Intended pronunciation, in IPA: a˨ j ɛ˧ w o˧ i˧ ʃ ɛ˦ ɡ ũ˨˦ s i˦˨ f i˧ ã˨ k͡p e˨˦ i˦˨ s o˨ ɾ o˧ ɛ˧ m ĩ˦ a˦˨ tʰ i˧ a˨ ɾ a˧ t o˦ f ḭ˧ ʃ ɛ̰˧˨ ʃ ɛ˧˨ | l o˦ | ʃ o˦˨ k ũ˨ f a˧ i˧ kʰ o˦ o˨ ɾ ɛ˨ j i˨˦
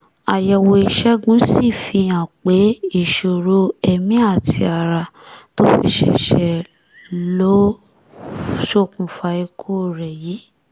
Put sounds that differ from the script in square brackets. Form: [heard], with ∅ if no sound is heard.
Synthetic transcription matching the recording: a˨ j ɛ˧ w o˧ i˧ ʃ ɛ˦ ɡ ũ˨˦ s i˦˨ f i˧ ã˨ k͡p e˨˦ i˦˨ [ʃ] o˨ ɾ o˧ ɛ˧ m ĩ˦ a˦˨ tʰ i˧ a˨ ɾ a˧ t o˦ f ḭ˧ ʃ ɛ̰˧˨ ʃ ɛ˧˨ | l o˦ | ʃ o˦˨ k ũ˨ f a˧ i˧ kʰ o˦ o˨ ɾ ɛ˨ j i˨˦